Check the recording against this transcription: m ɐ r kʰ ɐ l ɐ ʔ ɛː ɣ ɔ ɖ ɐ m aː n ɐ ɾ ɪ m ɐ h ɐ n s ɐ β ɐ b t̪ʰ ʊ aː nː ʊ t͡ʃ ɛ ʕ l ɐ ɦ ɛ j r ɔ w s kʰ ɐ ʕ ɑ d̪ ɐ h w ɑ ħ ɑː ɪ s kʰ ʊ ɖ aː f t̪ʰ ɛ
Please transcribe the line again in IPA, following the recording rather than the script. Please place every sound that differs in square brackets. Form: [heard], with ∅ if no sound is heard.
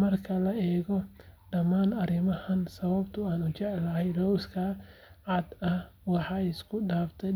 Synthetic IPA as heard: m ɐ r kʰ ɐ l ɐ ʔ ɛː ɣ ɔ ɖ ɐ m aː n ɐ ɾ ɪ m ɐ h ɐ n s ɐ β ɐ b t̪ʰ ʊ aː [n] ʊ t͡ʃ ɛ ʕ l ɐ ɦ ɛ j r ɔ w s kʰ ɐ ʕ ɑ d̪ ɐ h w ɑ ħ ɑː ɪ s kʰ ʊ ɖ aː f t̪ʰ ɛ